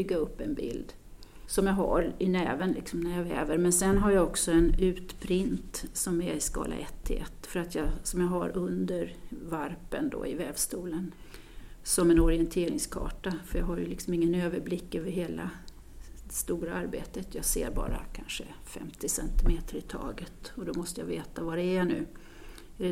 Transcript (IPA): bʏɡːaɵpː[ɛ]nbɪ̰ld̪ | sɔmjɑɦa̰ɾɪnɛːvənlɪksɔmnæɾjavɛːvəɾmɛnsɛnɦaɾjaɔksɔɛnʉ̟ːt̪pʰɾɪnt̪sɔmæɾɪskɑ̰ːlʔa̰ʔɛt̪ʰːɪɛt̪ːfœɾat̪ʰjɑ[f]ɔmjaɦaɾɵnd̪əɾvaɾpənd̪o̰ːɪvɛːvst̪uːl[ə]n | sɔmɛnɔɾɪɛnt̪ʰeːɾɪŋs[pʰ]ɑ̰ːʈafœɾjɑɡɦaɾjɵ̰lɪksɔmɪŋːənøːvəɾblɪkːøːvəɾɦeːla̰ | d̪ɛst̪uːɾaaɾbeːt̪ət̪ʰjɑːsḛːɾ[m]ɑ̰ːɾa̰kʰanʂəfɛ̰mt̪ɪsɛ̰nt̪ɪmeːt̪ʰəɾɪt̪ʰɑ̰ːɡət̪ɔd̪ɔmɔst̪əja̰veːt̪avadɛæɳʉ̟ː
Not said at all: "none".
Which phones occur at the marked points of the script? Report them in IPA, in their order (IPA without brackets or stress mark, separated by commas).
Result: ɛ, s, ə, kʰ, b